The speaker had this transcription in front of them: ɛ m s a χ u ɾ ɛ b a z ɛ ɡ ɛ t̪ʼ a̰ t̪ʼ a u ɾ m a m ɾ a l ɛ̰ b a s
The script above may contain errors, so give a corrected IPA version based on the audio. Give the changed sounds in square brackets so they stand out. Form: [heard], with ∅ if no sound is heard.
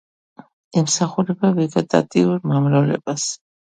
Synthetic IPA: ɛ m s a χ u ɾ ɛ b a [v] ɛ ɡ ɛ t̪ʼ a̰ t̪ʼ [i] u ɾ m a m ɾ a l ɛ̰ b a s